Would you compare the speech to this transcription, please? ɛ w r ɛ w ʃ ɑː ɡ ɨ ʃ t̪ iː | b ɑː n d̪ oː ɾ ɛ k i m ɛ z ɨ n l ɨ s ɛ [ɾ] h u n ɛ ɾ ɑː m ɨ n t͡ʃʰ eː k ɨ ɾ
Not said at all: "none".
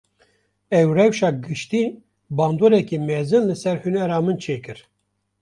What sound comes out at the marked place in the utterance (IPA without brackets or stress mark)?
ɾ